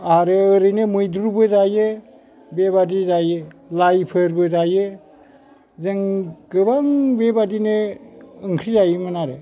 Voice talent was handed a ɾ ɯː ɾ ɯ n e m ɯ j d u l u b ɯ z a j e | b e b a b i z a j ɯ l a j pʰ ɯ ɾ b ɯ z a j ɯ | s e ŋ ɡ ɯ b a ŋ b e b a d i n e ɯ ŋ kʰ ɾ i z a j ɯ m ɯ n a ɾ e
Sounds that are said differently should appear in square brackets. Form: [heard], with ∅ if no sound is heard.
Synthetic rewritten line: a ɾ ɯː ɾ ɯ n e m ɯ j d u [ɾ] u b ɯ z a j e | b e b a [d] i z a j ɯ l a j pʰ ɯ ɾ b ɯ z a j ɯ | [z] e ŋ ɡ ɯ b a ŋ b e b a d i n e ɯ ŋ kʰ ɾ i z a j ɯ m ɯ n a ɾ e